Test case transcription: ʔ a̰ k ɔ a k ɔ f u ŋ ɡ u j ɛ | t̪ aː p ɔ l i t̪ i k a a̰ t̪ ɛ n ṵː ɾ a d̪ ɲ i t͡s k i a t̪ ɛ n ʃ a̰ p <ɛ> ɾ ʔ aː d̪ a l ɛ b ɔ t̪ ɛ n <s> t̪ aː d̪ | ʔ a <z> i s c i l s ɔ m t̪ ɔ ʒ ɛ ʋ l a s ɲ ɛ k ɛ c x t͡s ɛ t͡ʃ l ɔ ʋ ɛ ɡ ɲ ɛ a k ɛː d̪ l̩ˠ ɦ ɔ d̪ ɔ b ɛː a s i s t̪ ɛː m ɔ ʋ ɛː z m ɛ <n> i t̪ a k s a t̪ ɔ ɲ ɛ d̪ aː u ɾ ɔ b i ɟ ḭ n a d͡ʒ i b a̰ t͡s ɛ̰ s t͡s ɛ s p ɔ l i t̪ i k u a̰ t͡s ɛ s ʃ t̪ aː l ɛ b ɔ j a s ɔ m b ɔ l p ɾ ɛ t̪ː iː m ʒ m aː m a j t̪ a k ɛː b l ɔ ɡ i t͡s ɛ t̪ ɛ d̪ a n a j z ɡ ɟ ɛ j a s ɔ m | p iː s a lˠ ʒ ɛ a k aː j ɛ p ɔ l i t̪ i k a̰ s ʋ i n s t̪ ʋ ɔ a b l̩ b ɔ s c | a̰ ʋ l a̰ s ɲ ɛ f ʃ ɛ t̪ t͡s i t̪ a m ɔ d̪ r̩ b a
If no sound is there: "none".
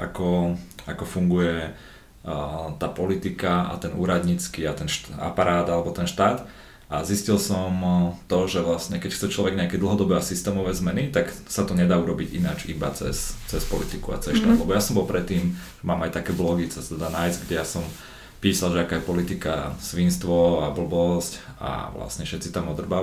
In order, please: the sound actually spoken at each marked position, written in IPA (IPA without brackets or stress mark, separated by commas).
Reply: a, ʃ, z, n